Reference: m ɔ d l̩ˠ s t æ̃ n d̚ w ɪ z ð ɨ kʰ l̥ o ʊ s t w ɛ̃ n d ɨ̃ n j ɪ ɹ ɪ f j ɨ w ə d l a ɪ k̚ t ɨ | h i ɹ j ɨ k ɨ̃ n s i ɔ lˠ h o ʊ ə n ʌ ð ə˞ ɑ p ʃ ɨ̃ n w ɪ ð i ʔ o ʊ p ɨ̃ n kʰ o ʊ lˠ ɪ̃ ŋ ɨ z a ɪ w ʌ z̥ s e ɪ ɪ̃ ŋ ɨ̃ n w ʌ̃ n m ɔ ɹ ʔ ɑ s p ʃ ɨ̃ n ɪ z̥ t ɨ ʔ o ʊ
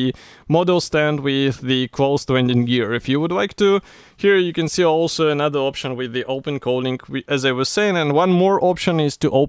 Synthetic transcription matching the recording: m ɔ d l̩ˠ s t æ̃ n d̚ w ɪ ð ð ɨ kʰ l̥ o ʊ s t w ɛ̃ n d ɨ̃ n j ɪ ɹ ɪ f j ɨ w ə d l a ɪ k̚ t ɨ | h i ɹ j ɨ k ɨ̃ n s i ɔ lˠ s o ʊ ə n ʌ ð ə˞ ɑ p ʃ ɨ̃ n w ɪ ð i ʔ o ʊ p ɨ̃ n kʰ o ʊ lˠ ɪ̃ ŋ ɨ z a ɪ w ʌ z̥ s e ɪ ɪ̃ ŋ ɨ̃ n w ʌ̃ n m ɔ ɹ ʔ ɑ p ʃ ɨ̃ n ɪ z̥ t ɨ ʔ o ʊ